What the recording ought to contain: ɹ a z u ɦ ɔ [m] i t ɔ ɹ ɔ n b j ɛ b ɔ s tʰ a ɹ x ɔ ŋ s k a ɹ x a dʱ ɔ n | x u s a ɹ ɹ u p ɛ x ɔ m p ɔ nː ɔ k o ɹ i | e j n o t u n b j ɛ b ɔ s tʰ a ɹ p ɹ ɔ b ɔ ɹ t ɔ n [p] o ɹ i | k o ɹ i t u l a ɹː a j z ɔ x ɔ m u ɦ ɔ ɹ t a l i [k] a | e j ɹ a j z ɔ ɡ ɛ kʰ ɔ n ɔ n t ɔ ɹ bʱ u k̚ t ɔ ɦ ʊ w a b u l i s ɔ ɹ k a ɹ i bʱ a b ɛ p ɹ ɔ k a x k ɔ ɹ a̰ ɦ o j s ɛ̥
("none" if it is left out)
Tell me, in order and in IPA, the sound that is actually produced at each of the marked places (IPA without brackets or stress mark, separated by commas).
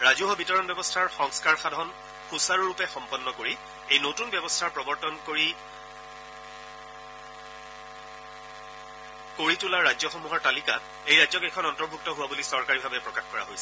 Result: b, k, k